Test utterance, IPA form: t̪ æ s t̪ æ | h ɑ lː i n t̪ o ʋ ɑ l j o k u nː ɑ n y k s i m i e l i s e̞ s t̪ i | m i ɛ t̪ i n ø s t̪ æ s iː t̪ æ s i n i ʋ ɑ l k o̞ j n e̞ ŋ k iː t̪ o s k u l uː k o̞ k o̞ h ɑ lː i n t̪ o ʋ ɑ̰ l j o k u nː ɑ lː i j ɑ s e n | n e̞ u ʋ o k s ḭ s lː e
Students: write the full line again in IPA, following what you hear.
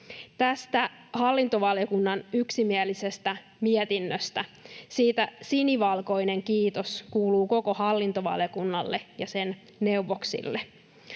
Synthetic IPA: t̪ æ s t̪ æ | h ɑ lː i n t̪ o ʋ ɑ l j o k u nː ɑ n y k s i m i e l i s e̞ s t̪ æ | m i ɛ t̪ i nː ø s t̪ æ s iː t̪ æ s i n i ʋ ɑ l k o̞ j n e̞ ŋ k iː t̪ o s k uː l uː k o̞ k o̞ h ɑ lː i n t̪ o ʋ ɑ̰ l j o k u nː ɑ lː e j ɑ s e n | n e̞ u ʋ o k s ḭ lː e